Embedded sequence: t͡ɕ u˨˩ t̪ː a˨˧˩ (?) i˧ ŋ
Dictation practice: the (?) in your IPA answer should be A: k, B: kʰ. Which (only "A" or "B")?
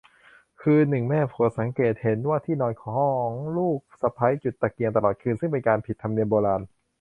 A